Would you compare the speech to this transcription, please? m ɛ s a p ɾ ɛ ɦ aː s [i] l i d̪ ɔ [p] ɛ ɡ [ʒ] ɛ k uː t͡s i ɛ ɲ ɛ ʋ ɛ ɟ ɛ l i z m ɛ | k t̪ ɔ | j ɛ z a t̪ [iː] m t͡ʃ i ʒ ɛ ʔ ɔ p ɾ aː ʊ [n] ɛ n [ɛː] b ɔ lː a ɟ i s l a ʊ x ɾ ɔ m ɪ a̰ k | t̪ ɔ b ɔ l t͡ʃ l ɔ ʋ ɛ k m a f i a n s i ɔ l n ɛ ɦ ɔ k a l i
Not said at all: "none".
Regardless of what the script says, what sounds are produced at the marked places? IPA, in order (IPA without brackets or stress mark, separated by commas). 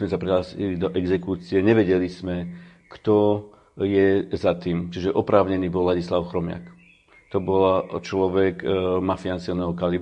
i, ʔ, z, iː, ɲ, iː